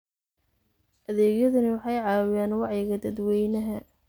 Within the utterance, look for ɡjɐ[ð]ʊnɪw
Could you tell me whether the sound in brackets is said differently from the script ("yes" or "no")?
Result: no